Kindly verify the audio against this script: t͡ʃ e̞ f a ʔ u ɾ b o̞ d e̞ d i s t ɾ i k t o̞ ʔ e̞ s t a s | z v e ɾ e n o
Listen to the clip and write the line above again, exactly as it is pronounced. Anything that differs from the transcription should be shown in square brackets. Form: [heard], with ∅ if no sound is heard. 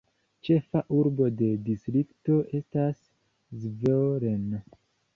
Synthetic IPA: t͡ʃ e̞ f a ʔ u ɾ b o̞ d e̞ d i s t ɾ i k t o̞ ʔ e̞ s t a s | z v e ɾ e n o